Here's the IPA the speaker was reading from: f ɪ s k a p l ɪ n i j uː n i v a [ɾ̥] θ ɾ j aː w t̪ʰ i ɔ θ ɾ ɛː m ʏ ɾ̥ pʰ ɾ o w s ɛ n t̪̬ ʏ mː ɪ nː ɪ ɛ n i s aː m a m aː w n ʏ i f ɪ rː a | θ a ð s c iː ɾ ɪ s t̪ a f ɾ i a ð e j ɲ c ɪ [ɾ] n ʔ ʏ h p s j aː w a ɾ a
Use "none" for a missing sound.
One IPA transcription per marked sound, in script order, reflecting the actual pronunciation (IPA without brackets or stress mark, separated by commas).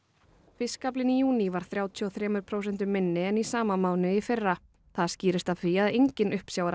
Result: ɾ̥, none